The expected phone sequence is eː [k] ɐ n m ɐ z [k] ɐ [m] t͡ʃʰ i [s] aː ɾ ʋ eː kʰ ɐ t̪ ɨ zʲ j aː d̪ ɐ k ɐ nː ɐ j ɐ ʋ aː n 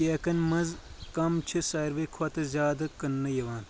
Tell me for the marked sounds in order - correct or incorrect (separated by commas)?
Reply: correct, correct, correct, correct